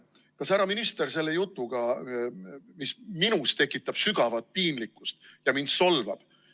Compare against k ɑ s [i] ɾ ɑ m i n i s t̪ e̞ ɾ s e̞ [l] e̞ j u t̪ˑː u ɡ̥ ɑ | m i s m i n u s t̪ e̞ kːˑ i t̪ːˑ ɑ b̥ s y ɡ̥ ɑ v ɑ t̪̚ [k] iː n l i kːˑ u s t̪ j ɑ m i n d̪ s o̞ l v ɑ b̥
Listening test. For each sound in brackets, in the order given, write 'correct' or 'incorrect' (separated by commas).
incorrect, incorrect, incorrect